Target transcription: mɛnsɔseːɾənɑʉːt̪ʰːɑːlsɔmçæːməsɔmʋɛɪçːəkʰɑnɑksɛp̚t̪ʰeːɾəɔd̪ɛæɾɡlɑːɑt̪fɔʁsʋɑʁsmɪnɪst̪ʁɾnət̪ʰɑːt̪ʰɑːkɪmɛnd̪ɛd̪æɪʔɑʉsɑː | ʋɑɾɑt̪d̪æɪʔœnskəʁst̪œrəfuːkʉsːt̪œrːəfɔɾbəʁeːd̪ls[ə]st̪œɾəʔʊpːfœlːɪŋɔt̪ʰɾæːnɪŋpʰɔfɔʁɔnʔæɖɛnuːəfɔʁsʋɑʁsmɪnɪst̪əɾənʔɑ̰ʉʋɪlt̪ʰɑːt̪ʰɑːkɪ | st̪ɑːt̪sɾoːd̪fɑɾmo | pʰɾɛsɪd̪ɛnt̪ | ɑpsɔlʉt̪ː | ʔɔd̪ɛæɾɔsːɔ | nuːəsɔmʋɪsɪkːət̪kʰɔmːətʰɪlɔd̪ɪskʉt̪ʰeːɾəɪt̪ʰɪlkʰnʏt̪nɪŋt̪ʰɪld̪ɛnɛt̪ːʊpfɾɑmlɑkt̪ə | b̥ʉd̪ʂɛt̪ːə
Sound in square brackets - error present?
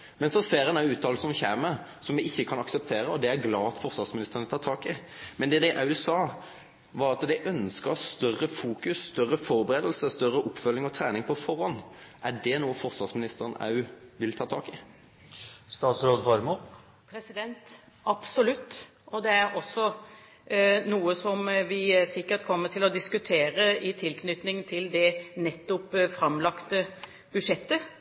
no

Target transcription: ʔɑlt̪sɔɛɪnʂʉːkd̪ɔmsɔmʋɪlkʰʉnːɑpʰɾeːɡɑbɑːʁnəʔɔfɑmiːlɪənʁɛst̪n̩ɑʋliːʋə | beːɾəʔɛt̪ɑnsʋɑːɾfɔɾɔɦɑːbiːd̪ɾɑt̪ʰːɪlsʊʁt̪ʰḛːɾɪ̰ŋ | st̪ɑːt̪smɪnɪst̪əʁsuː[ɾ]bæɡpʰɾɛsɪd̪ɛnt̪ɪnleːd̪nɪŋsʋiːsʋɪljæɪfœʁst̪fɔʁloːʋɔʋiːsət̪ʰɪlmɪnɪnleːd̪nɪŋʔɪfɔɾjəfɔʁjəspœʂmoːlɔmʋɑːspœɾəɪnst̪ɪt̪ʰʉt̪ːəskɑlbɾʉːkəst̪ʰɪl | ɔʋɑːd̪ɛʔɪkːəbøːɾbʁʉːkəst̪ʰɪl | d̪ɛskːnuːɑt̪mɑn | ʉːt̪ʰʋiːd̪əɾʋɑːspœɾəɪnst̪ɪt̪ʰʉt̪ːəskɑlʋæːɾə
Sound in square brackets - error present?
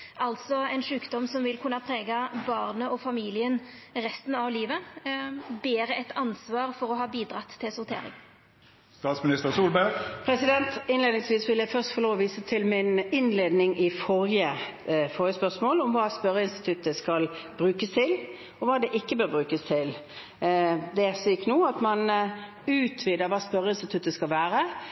yes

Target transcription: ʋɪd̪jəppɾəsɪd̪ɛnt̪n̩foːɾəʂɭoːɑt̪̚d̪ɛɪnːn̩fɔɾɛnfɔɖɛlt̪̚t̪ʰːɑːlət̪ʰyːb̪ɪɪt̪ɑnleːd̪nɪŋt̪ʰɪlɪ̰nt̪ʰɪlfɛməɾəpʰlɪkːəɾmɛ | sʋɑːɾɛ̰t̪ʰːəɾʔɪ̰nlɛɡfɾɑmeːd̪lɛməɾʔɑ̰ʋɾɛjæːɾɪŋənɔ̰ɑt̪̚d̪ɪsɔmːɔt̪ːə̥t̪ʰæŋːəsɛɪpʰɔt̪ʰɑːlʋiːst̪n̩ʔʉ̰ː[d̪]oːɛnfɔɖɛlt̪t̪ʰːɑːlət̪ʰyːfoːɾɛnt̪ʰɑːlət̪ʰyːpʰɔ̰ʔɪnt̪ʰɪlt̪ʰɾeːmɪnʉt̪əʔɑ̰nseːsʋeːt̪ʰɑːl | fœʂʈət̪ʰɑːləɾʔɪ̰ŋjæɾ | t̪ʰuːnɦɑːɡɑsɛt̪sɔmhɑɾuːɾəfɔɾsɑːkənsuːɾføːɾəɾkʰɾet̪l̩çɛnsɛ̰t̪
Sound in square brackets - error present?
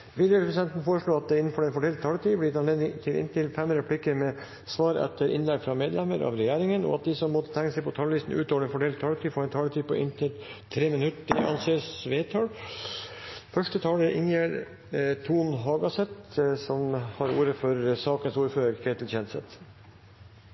yes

